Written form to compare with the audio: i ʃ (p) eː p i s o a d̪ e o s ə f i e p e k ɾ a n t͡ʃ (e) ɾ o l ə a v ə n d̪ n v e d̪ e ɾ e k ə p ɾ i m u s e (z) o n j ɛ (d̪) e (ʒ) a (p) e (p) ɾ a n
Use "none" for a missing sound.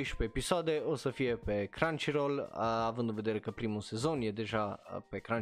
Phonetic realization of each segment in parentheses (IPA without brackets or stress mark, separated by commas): p, i, z, d̪, ʒ, p, k